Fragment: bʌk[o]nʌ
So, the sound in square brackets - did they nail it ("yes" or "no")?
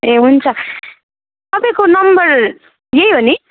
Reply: yes